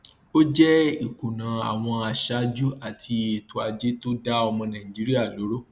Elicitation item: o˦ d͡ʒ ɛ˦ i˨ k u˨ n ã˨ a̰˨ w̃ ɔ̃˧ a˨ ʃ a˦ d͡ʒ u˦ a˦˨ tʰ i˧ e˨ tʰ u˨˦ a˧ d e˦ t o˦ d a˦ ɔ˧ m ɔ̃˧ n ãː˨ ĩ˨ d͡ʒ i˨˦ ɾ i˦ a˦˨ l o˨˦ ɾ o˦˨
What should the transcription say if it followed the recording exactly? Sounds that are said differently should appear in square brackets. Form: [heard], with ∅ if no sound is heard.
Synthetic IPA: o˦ d͡ʒ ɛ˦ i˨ k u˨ n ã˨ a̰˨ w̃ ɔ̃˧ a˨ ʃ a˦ d͡ʒ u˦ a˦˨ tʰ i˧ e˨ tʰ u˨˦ a˧ [d͡ʒ] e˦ t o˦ d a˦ ɔ˧ m ɔ̃˧ n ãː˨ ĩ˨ d͡ʒ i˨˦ ɾ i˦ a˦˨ l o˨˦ ɾ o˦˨

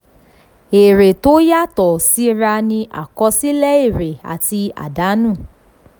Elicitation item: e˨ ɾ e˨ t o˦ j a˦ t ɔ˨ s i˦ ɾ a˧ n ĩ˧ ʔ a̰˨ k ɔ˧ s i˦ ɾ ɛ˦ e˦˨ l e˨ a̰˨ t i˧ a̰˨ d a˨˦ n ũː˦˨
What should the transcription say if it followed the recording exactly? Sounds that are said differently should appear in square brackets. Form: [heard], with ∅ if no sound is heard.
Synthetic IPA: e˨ ɾ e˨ t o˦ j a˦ t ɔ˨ s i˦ ɾ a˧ n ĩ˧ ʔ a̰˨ k ɔ˧ s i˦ [l] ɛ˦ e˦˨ [ɾ] e˨ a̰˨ t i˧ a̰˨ d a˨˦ n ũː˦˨

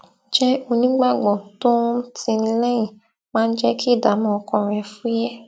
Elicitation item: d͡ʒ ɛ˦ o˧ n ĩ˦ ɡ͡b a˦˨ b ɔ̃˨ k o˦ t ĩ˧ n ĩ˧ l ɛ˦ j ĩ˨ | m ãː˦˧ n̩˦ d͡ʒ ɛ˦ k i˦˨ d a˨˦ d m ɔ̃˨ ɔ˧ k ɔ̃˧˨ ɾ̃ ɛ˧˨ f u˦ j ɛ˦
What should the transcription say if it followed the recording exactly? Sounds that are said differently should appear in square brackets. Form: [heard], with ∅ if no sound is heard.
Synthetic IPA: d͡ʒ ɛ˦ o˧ n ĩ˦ ɡ͡b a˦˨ [ɡ͡b] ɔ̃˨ [t] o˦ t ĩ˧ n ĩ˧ l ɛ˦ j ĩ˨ | m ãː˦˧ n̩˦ d͡ʒ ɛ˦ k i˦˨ d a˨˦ [∅] m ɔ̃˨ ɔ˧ k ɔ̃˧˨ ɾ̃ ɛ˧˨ f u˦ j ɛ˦

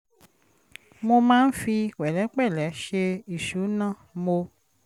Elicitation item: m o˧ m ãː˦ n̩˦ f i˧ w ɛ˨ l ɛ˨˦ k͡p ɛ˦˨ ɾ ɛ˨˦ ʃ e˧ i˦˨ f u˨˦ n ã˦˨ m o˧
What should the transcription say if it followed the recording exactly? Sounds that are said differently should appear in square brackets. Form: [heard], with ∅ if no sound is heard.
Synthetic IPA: m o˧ m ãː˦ n̩˦ f i˧ w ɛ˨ l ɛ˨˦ k͡p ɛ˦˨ [l] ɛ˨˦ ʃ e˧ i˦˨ [ʃ] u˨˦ n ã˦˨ m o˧

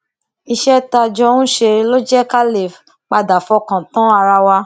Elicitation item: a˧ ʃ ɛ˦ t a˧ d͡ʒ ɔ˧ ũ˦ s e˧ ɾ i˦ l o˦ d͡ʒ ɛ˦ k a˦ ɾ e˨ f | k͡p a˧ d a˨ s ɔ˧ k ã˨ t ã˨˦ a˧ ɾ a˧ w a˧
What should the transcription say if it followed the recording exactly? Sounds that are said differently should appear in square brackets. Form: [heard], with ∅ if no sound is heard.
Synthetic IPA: [i˧] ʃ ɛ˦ t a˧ d͡ʒ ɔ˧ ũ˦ [ʃ] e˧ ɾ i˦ l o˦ d͡ʒ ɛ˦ k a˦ [l] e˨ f | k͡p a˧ d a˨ [f] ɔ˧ k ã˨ t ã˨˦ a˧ ɾ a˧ w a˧

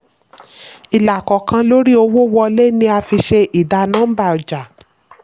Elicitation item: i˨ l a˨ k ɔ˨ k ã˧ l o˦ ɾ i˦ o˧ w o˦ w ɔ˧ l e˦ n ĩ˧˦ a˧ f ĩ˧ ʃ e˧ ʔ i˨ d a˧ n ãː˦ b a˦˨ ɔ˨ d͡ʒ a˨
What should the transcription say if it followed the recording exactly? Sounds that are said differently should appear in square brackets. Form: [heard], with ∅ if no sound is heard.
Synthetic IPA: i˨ l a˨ k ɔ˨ k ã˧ l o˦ ɾ i˦ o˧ w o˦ w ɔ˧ l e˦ n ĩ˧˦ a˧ f [i˧] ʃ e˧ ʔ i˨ d a˧ n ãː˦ b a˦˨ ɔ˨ d͡ʒ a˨

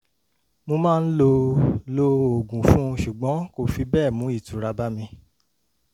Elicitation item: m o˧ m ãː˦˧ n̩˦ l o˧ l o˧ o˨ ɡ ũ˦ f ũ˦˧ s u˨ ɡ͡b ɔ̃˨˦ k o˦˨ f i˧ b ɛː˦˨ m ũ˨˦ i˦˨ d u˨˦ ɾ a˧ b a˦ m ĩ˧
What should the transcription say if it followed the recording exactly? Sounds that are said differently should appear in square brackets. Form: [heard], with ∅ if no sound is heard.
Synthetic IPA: m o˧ m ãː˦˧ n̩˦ l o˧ l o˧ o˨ ɡ [ũ˨] f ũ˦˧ [ʃ] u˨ ɡ͡b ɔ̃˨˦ k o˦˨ f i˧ b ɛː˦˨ m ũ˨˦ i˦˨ [t] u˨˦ ɾ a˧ b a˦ m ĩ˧

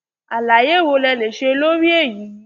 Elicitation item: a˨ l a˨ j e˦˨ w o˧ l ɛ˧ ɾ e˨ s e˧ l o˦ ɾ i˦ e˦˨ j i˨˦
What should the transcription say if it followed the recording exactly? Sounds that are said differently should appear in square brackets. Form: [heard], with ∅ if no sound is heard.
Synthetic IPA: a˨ l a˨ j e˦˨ w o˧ l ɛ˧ [l] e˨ [ʃ] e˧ l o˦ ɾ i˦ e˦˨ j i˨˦

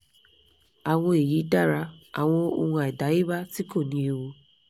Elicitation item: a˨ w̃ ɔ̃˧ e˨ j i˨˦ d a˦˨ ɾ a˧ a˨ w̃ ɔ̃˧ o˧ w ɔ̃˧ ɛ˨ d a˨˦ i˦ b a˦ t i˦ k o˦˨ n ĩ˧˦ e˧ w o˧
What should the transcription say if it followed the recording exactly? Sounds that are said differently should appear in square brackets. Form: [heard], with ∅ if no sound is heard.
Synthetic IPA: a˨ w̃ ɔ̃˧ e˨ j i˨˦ d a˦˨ ɾ a˧ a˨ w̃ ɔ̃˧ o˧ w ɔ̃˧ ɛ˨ d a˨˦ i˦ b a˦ t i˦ k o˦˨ n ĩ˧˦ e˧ w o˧

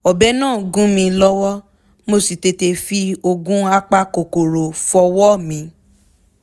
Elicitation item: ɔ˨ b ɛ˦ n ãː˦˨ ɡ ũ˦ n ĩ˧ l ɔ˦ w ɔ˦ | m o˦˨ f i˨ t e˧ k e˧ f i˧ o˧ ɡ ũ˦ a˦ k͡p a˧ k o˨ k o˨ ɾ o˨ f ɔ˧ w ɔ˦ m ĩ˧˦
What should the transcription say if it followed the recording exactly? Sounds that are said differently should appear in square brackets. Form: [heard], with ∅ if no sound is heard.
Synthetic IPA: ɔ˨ b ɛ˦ n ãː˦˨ ɡ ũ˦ [m] ĩ˧ l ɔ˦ w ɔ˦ | m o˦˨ [s] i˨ t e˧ [t] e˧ f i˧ o˧ ɡ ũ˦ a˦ k͡p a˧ k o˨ k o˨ ɾ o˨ f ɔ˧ w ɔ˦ m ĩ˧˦

